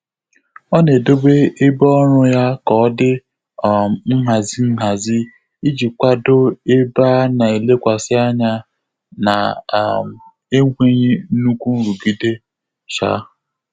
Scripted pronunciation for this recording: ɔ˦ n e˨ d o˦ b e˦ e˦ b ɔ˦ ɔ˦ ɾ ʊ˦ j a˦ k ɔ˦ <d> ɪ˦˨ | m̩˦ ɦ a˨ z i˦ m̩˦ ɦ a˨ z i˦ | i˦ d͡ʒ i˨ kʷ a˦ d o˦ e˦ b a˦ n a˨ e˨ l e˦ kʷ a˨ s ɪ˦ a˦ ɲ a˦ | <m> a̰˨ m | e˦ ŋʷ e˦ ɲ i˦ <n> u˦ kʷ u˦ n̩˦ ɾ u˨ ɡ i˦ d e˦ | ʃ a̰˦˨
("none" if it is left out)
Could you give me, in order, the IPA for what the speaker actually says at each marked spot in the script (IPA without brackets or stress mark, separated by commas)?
d, n, n